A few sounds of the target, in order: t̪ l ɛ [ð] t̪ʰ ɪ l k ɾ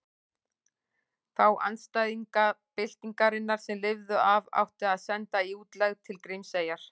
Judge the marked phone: incorrect: ɣ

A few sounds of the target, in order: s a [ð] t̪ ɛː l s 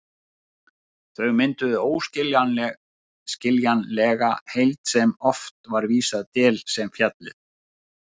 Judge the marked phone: correct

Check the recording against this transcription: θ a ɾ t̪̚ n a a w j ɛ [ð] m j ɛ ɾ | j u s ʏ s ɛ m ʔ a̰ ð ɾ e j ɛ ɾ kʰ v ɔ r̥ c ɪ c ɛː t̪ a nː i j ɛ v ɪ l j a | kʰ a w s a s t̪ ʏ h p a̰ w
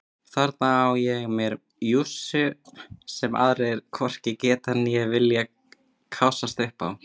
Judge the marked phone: incorrect: ɣ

